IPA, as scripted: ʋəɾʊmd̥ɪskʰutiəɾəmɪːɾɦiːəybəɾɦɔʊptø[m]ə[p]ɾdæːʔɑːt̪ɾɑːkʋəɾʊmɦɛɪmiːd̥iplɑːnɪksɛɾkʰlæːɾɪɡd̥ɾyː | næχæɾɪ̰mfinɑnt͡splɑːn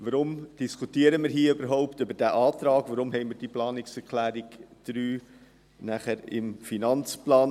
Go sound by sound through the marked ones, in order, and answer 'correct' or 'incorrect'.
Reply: incorrect: b, incorrect: none

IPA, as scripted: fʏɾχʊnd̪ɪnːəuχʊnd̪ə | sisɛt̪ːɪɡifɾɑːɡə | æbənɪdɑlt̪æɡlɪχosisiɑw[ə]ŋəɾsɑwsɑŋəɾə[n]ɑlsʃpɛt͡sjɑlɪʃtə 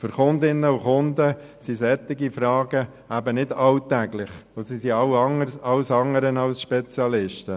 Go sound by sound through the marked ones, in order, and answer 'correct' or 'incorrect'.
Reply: incorrect: ɑ, correct

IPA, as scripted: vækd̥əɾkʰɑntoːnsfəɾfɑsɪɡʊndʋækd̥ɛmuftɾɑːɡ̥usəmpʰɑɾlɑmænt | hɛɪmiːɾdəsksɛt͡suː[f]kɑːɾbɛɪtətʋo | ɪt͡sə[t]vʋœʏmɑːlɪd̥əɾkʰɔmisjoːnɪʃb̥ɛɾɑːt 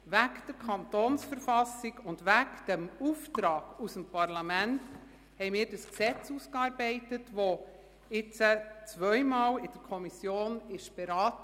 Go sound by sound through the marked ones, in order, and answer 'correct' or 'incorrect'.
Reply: incorrect: s, incorrect: t͡s

